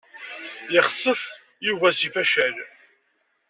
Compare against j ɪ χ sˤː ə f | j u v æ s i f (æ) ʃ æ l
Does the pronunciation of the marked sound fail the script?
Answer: no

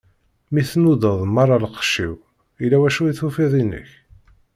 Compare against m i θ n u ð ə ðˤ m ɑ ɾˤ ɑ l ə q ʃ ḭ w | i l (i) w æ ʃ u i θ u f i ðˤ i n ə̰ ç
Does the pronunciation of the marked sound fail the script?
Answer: yes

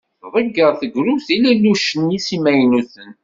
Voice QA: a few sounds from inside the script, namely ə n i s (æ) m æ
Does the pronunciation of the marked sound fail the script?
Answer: yes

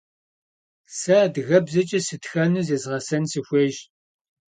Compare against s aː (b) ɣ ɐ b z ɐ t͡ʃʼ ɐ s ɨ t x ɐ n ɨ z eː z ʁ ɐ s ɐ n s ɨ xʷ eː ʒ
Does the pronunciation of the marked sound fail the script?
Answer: yes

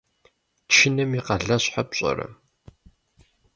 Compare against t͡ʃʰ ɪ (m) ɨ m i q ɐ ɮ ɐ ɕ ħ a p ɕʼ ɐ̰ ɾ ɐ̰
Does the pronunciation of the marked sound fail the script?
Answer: yes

